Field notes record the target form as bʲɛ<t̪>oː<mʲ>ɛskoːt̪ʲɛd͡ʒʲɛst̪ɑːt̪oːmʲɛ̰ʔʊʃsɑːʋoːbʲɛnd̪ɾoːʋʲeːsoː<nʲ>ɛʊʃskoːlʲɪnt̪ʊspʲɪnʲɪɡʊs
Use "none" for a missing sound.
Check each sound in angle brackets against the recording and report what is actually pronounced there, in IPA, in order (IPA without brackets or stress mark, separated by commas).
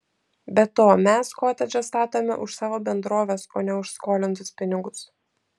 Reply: t̪, mʲ, nʲ